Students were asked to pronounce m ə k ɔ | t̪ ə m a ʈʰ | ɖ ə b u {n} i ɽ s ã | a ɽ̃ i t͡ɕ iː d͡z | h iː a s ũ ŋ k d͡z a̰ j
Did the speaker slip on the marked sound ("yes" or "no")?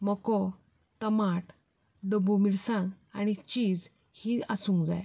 yes